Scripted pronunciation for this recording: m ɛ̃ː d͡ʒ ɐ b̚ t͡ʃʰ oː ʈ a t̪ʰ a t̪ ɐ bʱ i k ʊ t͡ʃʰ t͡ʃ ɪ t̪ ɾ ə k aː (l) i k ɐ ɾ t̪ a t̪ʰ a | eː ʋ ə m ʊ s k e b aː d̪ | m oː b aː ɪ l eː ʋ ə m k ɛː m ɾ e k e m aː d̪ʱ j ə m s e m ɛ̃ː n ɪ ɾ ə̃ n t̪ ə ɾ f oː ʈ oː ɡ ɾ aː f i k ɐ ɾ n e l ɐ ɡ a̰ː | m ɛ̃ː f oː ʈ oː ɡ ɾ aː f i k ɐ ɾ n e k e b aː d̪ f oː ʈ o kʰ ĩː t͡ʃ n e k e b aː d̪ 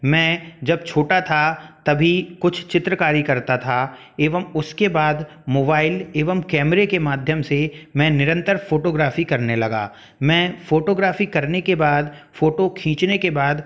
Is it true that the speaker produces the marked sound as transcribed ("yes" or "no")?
no